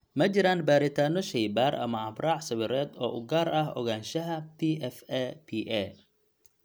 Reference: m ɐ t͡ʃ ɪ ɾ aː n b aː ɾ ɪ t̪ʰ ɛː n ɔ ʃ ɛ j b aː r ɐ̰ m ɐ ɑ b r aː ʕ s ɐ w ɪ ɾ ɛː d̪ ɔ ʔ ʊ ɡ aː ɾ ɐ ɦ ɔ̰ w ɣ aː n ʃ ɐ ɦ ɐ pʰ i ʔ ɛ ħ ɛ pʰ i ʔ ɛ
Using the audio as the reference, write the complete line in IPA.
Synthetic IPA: m ɐ t͡ʃ ɪ ɾ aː n b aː ɾ ɪ t̪ʰ aː n ɔ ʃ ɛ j b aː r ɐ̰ m ɐ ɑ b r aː ʕ s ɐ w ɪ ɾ ɛː d̪ ɔː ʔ ʊ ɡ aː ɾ ɐ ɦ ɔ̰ ɣ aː n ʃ ɐ ɦ ɐ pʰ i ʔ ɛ f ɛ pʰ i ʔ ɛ